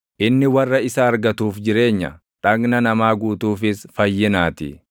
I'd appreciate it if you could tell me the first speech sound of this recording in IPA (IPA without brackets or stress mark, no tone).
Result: ʔ